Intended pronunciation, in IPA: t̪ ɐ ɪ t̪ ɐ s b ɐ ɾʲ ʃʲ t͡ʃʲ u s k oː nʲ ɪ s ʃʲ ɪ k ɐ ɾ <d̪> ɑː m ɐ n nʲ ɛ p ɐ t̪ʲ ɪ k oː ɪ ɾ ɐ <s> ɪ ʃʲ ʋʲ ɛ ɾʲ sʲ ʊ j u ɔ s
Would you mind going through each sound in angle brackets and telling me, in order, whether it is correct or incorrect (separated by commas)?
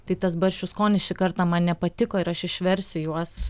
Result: incorrect, incorrect